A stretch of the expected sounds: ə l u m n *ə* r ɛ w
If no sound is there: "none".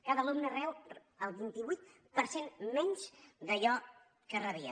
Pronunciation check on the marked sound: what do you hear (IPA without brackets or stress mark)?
ə